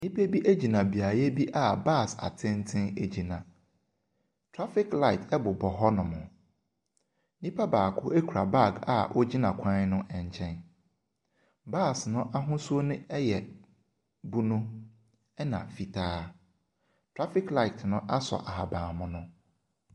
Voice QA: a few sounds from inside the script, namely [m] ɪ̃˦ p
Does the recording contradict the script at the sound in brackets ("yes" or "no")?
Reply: yes